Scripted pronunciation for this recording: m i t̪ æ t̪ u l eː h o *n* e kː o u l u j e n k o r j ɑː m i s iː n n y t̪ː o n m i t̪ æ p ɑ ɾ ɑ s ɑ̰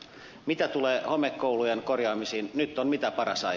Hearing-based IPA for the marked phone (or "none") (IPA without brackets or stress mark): m